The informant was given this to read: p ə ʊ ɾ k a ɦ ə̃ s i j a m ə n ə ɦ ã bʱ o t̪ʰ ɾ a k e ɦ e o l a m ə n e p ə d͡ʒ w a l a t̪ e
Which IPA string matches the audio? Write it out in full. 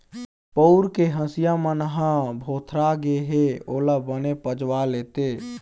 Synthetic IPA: p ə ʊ ɾ k e ɦ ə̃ s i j a m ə n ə ɦ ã bʱ o t̪ʰ ɾ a ɡ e ɦ e o l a b ə n e p ə d͡ʒ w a l e t̪ e